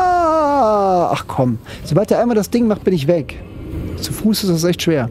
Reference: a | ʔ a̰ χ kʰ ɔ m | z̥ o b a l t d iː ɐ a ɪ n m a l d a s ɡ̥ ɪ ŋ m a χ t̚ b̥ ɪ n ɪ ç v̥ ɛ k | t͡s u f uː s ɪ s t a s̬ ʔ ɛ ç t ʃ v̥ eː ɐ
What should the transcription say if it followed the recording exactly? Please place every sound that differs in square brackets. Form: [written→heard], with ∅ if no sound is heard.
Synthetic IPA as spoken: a | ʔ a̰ χ kʰ ɔ m | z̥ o b a l t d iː ɐ a ɪ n m a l d a s [ɡ̥→d̥] ɪ ŋ m a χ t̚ b̥ ɪ n ɪ ç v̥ ɛ k | t͡s u f uː s ɪ s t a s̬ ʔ ɛ ç t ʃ v̥ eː ɐ

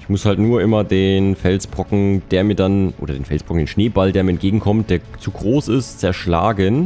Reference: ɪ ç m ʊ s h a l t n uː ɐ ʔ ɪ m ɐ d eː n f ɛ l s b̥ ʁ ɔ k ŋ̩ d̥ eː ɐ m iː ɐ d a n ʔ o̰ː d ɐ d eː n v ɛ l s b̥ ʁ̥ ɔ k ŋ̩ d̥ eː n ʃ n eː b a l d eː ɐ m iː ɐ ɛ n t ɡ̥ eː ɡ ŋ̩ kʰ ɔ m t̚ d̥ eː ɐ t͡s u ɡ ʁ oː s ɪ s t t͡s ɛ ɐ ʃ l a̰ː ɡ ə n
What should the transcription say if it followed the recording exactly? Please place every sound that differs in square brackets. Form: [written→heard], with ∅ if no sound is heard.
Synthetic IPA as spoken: ɪ ç m ʊ s h a l t n uː ɐ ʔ ɪ m ɐ d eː n f ɛ l s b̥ ʁ ɔ k ŋ̩ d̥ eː ɐ m iː ɐ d a n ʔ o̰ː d ɐ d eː n [v→f] ɛ l s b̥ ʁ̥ ɔ k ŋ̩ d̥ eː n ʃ n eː b a l d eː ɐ m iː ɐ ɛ n t ɡ̥ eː ɡ ŋ̩ kʰ ɔ m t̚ d̥ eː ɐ t͡s u ɡ ʁ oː s ɪ s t t͡s ɛ ɐ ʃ l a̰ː ɡ ə n

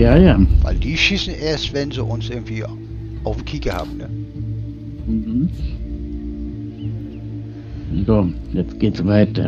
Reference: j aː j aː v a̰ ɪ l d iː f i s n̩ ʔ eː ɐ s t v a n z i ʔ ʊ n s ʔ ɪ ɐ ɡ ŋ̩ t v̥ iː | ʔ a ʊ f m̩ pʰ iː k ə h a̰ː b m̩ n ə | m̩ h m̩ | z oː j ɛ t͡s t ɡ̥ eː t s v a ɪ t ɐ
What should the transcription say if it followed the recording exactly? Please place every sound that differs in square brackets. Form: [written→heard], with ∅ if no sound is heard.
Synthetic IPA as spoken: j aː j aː v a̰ ɪ l d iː [f→ʃ] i s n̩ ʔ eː ɐ s t v [a→ɛ] n z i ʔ ʊ n s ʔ ɪ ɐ ɡ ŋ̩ t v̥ iː | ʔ a ʊ f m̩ [pʰ→kʰ] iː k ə h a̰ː b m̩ n ə | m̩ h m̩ | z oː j ɛ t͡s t ɡ̥ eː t s v a ɪ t ɐ

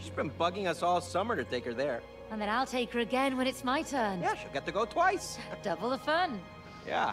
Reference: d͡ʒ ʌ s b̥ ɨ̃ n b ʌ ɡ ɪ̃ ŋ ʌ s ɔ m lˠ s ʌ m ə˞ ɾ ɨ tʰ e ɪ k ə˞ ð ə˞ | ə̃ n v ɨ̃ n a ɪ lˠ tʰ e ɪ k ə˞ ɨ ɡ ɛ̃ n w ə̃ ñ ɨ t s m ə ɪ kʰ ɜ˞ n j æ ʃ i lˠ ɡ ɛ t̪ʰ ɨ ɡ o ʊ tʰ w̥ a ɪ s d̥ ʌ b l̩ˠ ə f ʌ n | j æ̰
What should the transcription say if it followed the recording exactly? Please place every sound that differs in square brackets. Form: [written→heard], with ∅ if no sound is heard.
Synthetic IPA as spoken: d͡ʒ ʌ s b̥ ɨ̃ n b ʌ ɡ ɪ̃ ŋ ʌ s ɔ [m→∅] lˠ s ʌ m ə˞ ɾ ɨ tʰ e ɪ k ə˞ ð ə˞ | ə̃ n [v→ð] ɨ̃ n a ɪ lˠ tʰ e ɪ k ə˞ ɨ ɡ ɛ̃ n w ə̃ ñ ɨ t s m [ə→a] ɪ [kʰ→tʰ] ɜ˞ n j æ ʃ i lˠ ɡ ɛ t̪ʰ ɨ ɡ o ʊ tʰ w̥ a ɪ s d̥ ʌ b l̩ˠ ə f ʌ n | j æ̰

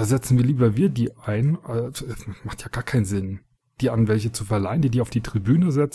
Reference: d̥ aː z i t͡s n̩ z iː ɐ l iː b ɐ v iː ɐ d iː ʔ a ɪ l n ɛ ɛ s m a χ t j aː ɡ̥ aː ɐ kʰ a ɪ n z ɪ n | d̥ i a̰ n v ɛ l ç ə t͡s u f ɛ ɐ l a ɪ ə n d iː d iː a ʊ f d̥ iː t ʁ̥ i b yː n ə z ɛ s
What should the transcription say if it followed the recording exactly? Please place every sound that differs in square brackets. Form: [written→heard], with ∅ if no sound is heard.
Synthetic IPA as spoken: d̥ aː z [i→ɛ] t͡s n̩ [z→v] iː ɐ l iː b ɐ v iː ɐ d iː ʔ a ɪ [l→∅] n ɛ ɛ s m a χ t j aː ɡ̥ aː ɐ kʰ a ɪ n z ɪ n | d̥ [i→iː] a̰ n v ɛ l ç ə t͡s u f ɛ ɐ l a ɪ ə n d iː d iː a ʊ f d̥ iː t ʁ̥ i b yː n ə z ɛ [s→t͡s]

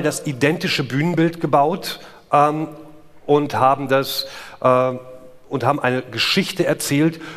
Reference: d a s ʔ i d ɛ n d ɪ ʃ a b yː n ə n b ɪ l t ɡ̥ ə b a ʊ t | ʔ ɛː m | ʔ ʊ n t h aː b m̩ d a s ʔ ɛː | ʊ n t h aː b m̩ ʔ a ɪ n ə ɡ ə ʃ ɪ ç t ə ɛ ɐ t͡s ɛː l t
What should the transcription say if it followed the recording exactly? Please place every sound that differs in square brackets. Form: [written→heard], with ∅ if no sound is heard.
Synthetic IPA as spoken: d a s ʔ i d ɛ n [d→t] ɪ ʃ [a→ə] b yː n ə n b ɪ l t ɡ̥ ə b a ʊ t | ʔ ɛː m | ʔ ʊ n t h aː b m̩ d a s ʔ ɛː | ʊ n t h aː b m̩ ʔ a ɪ n ə ɡ ə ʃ ɪ ç t ə ɛ ɐ t͡s ɛː l t

